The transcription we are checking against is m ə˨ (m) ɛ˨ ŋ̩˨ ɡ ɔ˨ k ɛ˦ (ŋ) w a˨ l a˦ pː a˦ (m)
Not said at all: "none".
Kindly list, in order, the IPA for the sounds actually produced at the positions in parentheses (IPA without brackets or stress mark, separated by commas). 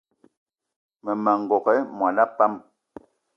m, m, m